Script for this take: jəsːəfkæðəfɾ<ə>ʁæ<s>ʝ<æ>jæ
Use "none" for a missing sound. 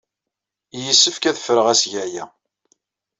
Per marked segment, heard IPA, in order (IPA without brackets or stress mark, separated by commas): ə, s, æ